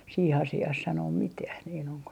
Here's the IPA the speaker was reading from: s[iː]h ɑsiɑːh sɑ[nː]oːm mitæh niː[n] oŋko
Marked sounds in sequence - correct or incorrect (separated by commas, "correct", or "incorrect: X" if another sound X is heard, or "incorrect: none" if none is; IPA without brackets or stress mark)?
correct, incorrect: n, correct